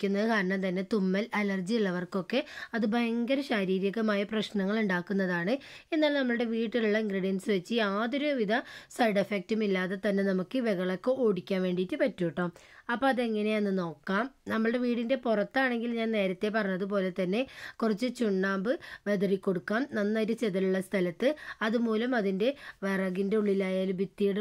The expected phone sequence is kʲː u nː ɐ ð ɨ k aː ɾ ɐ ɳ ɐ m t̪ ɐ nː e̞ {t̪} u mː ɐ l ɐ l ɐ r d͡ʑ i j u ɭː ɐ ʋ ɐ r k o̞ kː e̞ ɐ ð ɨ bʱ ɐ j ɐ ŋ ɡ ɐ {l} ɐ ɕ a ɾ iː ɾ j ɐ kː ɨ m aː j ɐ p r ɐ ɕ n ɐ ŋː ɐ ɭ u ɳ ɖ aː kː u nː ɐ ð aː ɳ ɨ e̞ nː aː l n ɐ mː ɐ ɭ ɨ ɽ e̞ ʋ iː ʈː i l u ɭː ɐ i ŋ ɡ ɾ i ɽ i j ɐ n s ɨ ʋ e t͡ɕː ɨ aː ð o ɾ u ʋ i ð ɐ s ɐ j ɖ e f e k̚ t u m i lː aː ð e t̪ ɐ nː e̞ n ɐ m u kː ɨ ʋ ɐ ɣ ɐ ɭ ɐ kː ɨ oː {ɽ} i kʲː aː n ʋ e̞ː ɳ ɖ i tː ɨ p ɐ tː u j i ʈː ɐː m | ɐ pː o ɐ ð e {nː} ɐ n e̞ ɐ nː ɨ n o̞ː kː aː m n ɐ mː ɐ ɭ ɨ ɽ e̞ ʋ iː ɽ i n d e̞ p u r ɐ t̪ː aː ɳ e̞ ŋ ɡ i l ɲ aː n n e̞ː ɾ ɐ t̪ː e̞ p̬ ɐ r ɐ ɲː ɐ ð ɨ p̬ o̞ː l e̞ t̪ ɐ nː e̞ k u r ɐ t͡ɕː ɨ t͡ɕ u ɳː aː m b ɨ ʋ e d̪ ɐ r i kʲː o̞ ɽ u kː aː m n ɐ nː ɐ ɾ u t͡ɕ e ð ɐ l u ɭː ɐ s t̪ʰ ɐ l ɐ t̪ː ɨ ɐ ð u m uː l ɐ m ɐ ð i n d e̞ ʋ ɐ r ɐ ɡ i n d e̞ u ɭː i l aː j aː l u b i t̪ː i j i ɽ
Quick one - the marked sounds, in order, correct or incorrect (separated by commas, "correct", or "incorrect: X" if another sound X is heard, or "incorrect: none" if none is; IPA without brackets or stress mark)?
correct, incorrect: ɾ, correct, incorrect: ŋː